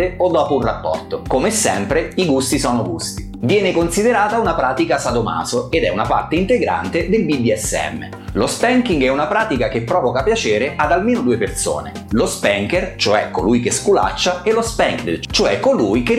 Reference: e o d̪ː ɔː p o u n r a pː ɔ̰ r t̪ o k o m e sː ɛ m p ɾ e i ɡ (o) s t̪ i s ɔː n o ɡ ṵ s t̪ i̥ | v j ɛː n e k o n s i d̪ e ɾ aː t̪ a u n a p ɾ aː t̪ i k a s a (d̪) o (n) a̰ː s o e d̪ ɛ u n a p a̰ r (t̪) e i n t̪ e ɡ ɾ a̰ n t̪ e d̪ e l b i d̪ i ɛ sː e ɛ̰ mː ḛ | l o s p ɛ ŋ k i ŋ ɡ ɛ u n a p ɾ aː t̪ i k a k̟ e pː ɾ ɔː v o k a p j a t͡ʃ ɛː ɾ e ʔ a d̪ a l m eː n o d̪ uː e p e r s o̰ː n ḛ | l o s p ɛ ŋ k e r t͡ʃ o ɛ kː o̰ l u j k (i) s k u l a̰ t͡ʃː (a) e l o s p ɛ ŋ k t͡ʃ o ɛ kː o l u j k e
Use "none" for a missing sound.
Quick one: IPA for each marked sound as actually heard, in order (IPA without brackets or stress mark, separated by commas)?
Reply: u, d̪, m, t̪, e, a